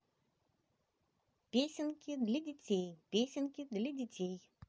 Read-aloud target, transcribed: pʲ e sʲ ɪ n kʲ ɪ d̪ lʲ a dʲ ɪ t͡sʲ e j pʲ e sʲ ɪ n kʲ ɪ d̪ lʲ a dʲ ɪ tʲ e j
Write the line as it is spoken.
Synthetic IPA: pʲ e sʲ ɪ n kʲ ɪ d̪ lʲ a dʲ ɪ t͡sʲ e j pʲ e sʲ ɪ n kʲ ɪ d̪ lʲ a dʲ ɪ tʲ e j